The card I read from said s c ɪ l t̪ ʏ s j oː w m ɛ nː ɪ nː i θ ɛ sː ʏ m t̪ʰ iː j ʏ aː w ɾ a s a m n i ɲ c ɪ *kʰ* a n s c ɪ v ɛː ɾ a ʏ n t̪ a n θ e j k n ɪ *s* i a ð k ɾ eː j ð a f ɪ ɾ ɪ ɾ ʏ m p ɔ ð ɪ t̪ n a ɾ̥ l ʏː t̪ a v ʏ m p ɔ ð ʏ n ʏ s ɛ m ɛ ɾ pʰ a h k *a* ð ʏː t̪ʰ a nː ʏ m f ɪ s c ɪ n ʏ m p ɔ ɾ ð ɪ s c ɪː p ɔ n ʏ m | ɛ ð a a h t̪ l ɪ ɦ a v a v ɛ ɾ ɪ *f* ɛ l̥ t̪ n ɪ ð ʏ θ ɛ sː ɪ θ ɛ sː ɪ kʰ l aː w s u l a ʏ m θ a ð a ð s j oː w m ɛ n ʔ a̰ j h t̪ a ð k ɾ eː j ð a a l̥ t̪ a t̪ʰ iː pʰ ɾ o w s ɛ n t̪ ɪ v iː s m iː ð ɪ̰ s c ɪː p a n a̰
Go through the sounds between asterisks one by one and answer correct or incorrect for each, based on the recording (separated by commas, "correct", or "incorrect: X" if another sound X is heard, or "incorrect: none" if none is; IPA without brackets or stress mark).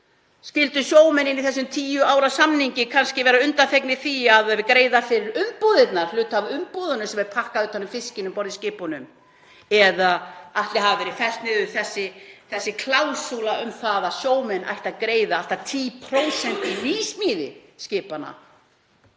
correct, incorrect: θ, correct, correct